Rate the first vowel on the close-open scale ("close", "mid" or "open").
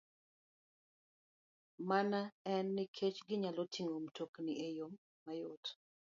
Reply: open